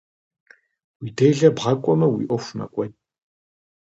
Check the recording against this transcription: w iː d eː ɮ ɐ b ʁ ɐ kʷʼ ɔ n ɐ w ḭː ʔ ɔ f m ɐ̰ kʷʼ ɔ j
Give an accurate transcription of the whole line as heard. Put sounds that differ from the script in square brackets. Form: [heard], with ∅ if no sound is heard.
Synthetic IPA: w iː d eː ɮ ɐ b ʁ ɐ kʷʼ ɔ [m] ɐ w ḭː ʔ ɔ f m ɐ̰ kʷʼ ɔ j